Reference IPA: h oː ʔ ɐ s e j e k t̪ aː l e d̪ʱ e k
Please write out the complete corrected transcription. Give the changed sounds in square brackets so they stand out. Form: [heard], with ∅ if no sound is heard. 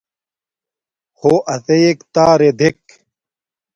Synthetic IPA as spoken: h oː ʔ ɐ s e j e k t̪ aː [ɾ] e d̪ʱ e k